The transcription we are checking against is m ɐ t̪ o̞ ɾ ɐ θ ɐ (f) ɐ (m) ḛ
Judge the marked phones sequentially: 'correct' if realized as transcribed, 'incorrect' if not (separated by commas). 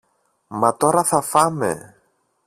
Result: correct, correct